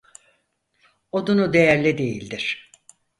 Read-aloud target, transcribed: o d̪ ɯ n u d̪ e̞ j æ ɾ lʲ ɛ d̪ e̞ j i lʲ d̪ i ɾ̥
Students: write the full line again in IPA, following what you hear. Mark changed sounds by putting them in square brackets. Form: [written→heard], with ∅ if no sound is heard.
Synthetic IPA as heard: o d̪ [ɯ→u] n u d̪ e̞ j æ ɾ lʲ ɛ d̪ e̞ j i lʲ d̪ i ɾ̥

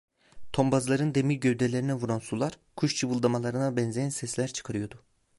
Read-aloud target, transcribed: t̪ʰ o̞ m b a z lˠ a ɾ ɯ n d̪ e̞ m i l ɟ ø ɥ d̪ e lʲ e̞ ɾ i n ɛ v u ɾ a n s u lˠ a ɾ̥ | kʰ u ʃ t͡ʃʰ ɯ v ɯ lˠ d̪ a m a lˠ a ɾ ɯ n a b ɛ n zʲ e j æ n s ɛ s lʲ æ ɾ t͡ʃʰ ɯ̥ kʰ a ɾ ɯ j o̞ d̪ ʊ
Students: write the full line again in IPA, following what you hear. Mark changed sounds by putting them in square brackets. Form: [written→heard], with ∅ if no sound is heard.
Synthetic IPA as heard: t̪ʰ o̞ m b a z lˠ a ɾ ɯ n d̪ e̞ m i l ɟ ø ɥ d̪ e lʲ e̞ ɾ i n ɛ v u ɾ a n s u lˠ a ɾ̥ | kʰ u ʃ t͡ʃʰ ɯ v ɯ lˠ d̪ a m a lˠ a ɾ ɯ n a b ɛ n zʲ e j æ n s ɛ s lʲ æ ɾ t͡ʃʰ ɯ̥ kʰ a ɾ ɯ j o̞ d̪ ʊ

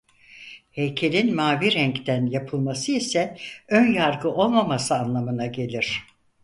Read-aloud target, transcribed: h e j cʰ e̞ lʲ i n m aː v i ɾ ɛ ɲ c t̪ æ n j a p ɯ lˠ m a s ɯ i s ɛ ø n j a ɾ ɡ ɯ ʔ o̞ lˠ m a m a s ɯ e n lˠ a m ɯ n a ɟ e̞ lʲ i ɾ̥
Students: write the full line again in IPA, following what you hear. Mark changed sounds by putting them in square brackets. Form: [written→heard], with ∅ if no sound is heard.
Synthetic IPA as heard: h e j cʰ e̞ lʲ i n m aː v i ɾ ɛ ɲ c t̪ æ n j a [p→pʰ] ɯ lˠ m a s ɯ i s ɛ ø n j a ɾ ɡ ɯ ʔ o̞ lˠ m a m a s ɯ [e→a] n lˠ a m ɯ n a ɟ e̞ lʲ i ɾ̥

